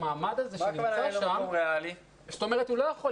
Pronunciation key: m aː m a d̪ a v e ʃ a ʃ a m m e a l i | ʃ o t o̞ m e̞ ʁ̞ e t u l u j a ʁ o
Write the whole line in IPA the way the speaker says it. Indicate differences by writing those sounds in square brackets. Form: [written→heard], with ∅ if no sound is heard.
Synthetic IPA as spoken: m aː m a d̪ a [v→z] e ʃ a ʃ a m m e a l i | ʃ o t o̞ m e̞ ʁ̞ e t u l [u→o] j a [ʁ→χ] o